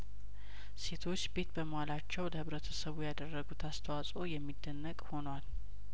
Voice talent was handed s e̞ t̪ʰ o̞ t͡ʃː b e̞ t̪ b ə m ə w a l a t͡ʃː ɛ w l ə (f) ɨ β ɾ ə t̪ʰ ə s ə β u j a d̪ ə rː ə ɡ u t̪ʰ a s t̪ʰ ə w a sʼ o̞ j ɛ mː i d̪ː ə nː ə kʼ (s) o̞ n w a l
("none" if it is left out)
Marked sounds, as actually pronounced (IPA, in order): h, h

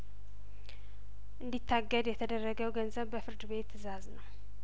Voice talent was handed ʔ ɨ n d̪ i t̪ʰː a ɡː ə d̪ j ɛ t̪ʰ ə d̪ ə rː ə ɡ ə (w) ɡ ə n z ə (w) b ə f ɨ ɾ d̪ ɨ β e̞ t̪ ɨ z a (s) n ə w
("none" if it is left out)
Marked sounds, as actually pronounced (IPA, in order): w, β, z

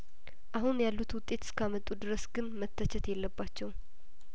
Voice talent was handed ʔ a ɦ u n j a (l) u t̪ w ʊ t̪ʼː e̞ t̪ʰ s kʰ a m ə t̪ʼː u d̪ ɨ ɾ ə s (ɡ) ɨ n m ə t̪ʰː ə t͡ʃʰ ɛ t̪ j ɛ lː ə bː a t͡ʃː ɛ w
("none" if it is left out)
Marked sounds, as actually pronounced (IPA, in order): lː, ɡ

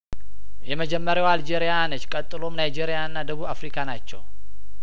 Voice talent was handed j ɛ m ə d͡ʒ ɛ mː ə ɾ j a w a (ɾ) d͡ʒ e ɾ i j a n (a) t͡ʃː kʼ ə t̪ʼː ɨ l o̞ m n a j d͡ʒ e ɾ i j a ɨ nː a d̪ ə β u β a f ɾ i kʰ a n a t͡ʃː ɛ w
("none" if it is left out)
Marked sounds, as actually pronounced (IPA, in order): l, ə

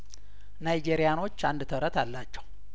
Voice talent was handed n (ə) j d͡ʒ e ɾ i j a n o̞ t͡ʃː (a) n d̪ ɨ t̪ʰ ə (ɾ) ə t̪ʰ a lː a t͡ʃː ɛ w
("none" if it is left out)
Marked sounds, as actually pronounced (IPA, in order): a, a, ɾ

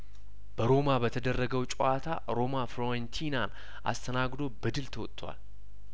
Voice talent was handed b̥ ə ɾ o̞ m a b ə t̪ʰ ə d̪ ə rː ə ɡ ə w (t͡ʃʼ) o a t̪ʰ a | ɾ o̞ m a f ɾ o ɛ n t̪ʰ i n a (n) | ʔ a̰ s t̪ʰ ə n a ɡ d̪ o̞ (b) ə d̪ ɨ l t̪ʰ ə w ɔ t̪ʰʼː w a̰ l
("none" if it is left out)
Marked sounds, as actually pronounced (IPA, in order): t͡ʃʼ, n, b

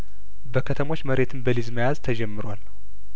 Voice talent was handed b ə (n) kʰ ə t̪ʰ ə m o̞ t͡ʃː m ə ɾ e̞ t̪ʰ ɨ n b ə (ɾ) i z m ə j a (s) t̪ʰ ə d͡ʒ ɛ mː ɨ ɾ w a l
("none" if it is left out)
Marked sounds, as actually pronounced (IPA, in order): none, l, z

